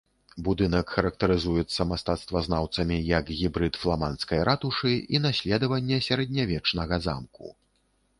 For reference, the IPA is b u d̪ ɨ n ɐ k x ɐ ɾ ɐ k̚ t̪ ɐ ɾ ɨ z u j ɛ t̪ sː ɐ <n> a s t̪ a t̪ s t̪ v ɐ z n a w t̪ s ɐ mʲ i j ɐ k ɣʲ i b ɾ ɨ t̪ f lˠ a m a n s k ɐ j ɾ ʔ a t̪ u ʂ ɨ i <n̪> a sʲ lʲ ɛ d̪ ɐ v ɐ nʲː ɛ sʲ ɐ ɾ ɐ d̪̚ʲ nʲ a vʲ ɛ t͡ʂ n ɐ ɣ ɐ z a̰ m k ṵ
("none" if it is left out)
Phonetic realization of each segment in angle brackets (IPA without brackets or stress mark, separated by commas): m, n̪